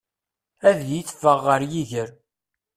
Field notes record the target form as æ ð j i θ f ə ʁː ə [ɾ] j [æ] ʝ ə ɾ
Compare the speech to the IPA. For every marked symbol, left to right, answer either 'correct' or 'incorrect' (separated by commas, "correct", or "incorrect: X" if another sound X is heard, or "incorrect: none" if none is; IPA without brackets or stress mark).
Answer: correct, incorrect: i